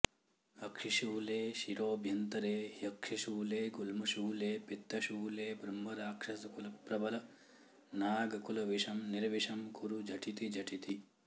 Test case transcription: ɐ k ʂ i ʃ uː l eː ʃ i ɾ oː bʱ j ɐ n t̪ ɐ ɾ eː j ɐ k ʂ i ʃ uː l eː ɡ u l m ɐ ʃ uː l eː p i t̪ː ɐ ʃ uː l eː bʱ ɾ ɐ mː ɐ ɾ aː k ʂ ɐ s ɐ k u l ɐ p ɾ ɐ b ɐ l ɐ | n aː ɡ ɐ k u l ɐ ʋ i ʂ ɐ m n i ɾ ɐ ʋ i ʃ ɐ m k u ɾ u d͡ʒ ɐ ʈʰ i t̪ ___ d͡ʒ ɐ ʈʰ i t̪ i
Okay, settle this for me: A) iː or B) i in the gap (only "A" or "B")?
B